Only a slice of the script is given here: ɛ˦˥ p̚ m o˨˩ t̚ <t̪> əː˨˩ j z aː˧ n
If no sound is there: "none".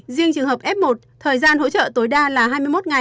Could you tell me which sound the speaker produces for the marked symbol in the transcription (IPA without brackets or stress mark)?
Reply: t̪ʰ